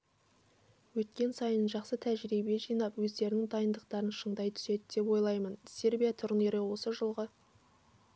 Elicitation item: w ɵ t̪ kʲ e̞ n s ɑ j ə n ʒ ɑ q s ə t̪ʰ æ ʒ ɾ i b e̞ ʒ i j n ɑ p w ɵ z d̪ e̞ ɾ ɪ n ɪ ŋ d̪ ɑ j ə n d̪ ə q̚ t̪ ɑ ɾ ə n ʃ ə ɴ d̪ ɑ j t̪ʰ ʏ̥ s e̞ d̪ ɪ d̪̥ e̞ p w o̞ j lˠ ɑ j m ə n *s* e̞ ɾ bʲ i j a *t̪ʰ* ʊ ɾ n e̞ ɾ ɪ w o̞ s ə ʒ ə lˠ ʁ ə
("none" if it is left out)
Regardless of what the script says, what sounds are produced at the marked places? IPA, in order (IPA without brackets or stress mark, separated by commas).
s, t̪ʰ